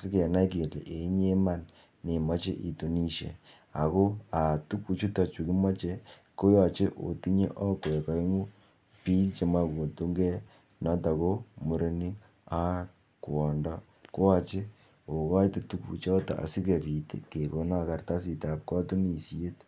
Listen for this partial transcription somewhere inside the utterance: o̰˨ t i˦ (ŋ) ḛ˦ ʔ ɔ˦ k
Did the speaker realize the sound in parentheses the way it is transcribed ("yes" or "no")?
no